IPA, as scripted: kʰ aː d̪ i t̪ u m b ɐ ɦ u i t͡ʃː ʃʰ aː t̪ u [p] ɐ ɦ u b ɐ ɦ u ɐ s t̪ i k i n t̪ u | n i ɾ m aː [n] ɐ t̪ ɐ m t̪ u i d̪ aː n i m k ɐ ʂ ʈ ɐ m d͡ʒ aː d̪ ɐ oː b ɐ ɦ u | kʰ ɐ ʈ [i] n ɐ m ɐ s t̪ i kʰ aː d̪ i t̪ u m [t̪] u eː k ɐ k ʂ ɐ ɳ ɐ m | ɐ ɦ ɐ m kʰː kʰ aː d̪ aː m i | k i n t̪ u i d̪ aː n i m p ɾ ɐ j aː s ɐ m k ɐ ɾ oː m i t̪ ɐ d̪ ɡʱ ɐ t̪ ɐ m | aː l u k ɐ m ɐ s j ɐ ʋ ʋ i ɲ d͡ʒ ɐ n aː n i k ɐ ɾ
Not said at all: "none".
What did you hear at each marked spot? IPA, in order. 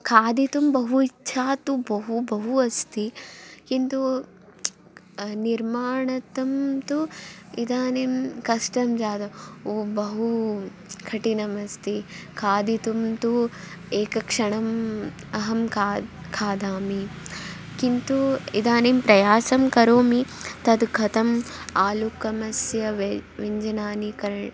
b, ɳ, i, t̪

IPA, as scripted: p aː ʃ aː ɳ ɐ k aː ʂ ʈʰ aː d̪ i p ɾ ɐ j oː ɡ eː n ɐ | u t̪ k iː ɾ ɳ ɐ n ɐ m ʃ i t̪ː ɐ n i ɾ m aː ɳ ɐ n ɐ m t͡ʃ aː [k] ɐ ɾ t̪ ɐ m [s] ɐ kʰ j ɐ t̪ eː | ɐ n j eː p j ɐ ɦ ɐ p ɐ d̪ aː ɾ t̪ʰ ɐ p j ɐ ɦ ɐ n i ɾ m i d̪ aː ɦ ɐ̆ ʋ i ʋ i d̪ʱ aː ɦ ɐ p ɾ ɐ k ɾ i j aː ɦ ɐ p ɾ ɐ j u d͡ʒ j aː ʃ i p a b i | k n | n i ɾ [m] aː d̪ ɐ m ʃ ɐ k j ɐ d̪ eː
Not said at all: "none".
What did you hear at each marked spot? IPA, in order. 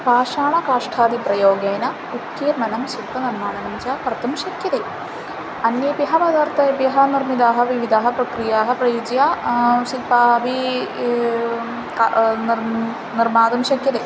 k, ʃ, m

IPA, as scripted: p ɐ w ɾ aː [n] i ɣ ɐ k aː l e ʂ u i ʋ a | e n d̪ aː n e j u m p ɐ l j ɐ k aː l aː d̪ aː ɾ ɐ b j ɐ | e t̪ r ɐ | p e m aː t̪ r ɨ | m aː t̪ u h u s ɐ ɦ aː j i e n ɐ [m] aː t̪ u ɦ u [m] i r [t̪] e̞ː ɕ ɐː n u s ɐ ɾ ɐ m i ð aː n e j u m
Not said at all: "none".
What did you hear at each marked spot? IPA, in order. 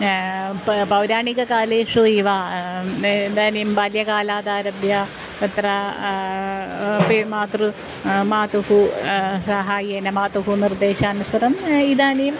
ɳ, m, n, d̪

